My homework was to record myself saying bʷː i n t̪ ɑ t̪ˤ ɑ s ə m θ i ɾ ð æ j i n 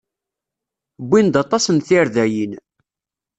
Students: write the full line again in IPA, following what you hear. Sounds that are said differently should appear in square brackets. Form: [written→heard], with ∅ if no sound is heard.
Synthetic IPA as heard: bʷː i n [t̪→d̪] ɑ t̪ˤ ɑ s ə [m→n] θ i ɾ ð æ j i n